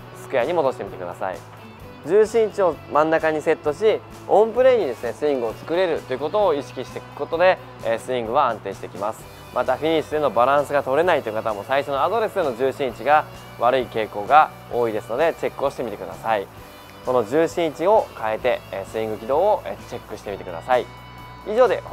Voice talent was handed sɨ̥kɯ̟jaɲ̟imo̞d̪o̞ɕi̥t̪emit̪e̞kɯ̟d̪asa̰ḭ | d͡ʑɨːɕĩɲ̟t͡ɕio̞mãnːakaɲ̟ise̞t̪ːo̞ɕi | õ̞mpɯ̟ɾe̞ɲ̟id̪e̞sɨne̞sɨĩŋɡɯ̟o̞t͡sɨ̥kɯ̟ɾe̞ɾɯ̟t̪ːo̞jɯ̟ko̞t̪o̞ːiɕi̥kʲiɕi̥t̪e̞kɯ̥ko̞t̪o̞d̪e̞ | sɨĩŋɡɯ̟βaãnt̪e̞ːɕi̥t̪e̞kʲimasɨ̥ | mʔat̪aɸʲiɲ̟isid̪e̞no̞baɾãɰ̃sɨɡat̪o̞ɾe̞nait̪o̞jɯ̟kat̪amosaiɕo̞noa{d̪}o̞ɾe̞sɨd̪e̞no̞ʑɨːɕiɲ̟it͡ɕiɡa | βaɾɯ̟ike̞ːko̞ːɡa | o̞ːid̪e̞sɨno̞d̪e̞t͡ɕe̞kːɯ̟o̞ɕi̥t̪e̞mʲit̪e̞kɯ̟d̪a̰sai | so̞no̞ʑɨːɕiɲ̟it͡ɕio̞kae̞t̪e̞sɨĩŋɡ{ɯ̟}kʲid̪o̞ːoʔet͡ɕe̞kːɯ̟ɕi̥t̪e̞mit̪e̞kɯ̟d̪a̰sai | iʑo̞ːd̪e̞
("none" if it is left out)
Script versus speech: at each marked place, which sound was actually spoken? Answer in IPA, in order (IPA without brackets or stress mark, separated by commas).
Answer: d̪, ɯ̟